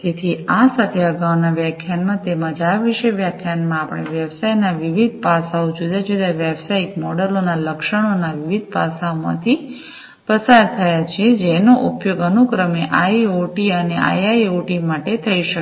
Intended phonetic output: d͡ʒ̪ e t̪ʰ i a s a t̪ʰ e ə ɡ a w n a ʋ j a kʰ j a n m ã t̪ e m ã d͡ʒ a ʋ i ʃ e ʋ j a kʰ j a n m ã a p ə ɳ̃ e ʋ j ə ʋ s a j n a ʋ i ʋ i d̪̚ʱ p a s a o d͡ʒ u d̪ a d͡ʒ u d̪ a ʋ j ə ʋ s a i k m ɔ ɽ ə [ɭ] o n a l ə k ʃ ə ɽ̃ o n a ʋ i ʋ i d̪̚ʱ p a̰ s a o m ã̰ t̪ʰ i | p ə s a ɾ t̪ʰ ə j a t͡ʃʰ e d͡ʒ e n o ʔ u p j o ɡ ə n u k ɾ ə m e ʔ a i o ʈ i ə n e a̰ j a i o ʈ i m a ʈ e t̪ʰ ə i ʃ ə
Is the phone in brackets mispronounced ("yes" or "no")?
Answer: yes